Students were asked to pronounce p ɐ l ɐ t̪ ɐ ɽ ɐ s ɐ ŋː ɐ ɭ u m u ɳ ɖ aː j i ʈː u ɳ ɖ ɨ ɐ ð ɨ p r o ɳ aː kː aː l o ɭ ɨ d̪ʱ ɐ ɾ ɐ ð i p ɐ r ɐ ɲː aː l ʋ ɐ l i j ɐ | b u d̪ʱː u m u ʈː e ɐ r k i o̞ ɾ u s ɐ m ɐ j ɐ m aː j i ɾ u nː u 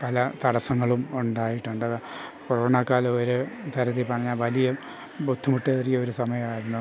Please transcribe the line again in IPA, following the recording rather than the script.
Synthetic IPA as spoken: p ɐ l ɐ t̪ ɐ ɽ ɐ s ɐ ŋː ɐ ɭ u m u ɳ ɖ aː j i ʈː u ɳ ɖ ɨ ɐ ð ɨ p r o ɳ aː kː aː l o ɾ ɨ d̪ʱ ɐ ɾ ɐ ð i p ɐ r ɐ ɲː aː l ʋ ɐ l i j ɐ | b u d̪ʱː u m u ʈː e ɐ r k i o̞ ɾ u s ɐ m ɐ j ɐ m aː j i ɾ u nː u

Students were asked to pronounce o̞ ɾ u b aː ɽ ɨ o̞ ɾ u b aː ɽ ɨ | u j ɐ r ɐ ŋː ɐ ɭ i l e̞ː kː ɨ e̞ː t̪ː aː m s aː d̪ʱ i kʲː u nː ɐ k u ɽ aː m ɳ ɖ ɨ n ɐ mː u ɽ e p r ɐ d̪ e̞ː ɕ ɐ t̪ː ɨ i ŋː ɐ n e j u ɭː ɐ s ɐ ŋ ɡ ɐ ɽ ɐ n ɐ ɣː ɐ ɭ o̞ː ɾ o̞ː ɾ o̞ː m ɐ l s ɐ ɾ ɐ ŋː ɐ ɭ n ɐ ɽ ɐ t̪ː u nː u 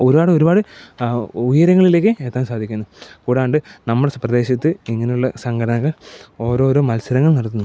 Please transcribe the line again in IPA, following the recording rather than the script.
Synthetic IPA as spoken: o̞ ɾ u b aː ɽ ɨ o̞ ɾ u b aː ɽ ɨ | u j ɐ ɾ ɐ ŋː ɐ ɭ i l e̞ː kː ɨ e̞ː t̪ː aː m s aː d̪ʱ i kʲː u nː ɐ k uː ɽ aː ɳ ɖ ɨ n ɐ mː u ɽ e p r ɐ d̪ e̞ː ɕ ɐ t̪ː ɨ i ŋː ɐ n e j u ɭː ɐ s ɐ ŋ ɡ ɐ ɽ ɐ n ɐ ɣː ɐ ɭ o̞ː ɾ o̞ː ɾ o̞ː m ɐ l s ɐ ɾ ɐ ŋː ɐ ɭ n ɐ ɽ ɐ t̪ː u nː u

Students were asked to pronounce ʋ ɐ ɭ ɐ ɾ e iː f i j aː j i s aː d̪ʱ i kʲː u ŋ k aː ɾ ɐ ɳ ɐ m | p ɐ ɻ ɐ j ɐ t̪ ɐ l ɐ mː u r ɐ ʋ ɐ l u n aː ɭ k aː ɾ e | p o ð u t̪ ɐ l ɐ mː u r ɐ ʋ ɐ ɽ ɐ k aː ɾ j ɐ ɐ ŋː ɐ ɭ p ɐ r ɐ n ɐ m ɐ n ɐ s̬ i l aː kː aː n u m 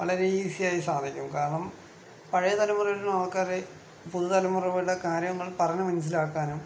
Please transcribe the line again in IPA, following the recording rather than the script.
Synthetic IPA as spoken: ʋ ɐ ɭ ɐ ɾ e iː s i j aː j i s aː d̪ʱ i kʲː u m k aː ɾ ɐ ɳ ɐ m | p ɐ ɻ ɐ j ɐ t̪ ɐ l ɐ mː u r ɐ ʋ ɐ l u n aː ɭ k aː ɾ e | p u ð u t̪ ɐ l ɐ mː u r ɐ ʋ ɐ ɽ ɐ k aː ɾ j ɐ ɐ ŋː ɐ ɭ p ɐ r ɐ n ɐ m ɐ n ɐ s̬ i l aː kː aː n u m

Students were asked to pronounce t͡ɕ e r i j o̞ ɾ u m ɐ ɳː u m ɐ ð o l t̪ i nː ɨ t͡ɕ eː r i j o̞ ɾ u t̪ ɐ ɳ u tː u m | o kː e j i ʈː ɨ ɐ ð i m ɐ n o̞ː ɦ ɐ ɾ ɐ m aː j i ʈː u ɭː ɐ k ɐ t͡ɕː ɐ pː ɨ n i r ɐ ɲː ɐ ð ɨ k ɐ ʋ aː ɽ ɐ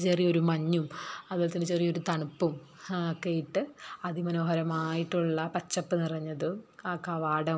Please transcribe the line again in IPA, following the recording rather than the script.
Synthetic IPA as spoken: t͡ɕ e r i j o̞ ɾ u m ɐ ɲː u m ɐ ð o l t̪ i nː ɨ t͡ɕ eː r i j o̞ ɾ u t̪ ɐ ɳ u pː u m | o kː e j i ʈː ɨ ɐ ð i m ɐ n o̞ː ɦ ɐ ɾ ɐ m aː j i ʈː u ɭː ɐ p ɐ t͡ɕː ɐ pː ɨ n i r ɐ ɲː ɐ ð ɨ k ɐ ʋ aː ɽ ɐ

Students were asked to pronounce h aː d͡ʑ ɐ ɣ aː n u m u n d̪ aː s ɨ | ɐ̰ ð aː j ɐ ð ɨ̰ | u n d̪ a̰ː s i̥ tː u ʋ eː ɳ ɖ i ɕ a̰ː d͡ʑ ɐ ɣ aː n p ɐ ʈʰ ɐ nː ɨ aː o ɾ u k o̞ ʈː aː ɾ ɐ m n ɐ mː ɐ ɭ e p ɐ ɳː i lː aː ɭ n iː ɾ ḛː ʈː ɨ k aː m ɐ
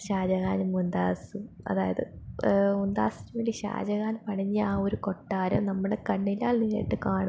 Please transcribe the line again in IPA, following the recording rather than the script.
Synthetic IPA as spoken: ɕ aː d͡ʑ ɐ ɣ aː n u m u n d̪ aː s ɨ | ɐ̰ ð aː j ɐ ð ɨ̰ | u n d̪ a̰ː s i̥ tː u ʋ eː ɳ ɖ i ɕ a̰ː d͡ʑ ɐ ɣ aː n p ɐ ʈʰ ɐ ɲː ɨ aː o ɾ u k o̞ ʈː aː ɾ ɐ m n ɐ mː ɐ ɽ e k ɐ ɳː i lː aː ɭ n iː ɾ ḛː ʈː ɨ k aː ɳ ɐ

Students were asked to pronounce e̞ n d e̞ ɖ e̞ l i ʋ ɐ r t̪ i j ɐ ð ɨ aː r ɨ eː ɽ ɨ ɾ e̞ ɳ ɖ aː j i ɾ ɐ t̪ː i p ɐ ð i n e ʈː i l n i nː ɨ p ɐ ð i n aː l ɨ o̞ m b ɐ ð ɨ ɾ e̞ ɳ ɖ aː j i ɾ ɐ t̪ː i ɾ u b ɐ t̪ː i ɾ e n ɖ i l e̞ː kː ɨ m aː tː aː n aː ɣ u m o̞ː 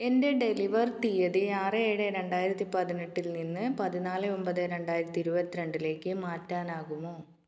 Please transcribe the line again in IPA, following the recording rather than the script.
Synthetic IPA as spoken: e̞ n d e̞ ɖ e̞ l i ʋ ɐ r t̪ i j ɐ ð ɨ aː r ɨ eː ɽ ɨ ɾ e̞ ɳ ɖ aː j i ɾ ɐ t̪ː i p ɐ ð i n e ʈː i l n i nː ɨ p ɐ ð i n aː l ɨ o̞ m b ɐ ð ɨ ɾ e̞ ɳ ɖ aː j i ɾ ɐ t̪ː i ɾ u b ɐ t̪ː i ɾ e ɳ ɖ i l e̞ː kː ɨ m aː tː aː n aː ɣ u m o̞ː

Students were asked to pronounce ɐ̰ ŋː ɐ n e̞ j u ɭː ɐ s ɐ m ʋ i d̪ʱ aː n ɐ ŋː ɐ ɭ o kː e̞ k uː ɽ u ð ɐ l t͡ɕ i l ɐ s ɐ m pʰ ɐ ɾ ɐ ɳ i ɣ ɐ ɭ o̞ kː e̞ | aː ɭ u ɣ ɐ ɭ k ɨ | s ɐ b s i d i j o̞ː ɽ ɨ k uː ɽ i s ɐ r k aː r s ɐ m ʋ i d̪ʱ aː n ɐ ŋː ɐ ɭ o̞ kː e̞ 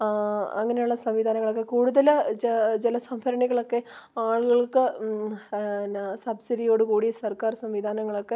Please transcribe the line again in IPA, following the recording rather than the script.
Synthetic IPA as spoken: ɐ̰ ŋː ɐ n e̞ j u ɭː ɐ s ɐ m ʋ i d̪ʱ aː n ɐ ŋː ɐ ɭ o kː e̞ k uː ɽ u ð ɐ l t͡ɕ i l ɐ s ɐ m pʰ ɐ ɾ ɐ ɳ i ɣ ɐ ɭ o̞ kː e̞ | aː ɭ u ɣ ɐ ɭ k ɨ | s ɐ b s i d i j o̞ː ɽ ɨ k uː ɽ i s ɐ r k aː r s ɐ m ʋ i d̪ʱ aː n ɐ ŋː ɐ ɭ o̞ kː e̞

